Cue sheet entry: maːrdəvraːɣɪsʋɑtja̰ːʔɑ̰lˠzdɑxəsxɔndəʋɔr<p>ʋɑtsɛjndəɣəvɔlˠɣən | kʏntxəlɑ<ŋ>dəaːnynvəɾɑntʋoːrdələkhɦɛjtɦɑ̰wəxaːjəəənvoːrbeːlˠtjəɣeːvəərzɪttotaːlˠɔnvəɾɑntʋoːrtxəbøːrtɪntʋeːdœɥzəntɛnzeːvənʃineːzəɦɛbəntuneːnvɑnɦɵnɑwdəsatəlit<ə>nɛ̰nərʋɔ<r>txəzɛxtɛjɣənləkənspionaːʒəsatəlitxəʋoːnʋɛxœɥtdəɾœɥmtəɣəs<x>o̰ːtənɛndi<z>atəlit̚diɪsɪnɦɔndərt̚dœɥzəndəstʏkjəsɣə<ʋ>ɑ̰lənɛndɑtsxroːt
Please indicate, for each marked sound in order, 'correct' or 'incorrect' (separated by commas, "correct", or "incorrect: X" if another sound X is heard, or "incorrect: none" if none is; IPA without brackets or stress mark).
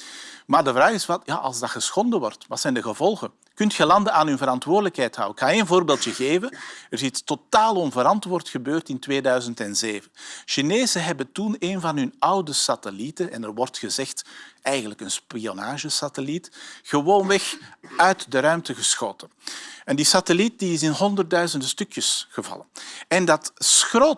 incorrect: t, incorrect: n, correct, correct, correct, incorrect: s, incorrect: v